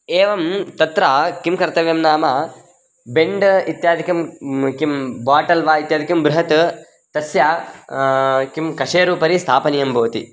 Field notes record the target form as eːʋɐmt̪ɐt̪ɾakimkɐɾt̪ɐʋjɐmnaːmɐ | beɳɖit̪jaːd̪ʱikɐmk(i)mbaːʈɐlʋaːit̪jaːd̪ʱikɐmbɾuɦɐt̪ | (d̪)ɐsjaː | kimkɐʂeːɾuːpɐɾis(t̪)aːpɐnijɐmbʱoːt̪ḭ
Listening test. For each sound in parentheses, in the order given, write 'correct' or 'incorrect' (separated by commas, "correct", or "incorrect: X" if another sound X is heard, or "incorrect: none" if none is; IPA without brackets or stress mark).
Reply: correct, incorrect: t̪, incorrect: t̪ʰ